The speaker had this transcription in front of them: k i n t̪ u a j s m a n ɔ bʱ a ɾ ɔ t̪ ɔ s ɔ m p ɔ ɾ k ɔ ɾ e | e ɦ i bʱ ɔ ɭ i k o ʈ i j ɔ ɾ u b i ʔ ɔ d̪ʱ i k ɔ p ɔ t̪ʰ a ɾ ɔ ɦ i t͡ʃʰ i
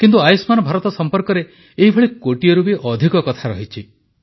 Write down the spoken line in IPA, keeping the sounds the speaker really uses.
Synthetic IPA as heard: k i n t̪ u a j s m a n ɔ bʱ a ɾ ɔ t̪ ɔ s ɔ m p ɔ ɾ k ɔ ɾ e | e ɦ i bʱ ɔ ɭ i k o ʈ i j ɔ ɾ u b i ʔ ɔ d̪ʱ i k ɔ k ɔ t̪ʰ a ɾ ɔ ɦ i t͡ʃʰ i